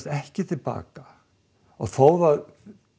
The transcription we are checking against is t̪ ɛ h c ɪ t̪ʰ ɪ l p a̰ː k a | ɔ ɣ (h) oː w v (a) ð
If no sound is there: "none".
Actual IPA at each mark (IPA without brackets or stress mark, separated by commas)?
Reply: θ, a